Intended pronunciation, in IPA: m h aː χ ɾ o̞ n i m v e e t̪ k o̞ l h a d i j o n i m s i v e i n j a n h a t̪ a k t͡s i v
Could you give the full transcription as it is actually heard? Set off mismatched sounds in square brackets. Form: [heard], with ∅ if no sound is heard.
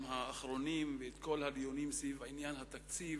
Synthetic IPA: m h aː χ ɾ o̞ n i m v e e t̪ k o̞ l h a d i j o n i m s i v [a] i n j a n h a t̪ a k t͡s i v